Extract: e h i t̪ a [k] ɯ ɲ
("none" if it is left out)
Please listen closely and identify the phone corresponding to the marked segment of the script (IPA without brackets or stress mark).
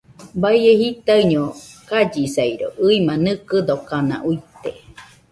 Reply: none